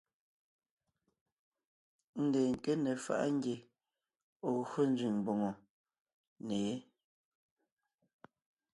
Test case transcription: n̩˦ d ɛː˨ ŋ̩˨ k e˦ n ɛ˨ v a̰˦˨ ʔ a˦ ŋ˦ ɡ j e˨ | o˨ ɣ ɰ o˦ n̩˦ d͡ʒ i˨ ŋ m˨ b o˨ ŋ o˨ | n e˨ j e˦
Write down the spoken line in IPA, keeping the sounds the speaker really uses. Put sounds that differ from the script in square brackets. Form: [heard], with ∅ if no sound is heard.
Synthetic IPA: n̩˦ d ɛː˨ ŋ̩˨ k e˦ n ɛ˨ [f] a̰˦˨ ʔ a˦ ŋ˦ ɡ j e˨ | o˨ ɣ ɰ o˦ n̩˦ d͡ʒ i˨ ŋ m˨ b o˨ ŋ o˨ | n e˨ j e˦